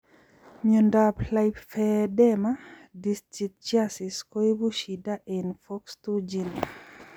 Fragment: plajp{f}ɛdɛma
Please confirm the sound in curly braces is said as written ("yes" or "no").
yes